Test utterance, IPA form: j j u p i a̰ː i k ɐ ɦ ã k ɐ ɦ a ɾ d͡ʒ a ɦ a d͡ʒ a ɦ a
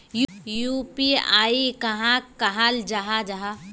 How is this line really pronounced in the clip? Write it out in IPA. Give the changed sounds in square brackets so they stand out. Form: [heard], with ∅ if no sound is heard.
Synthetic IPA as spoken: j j u p i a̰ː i k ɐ ɦ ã k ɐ ɦ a [l] d͡ʒ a ɦ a d͡ʒ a ɦ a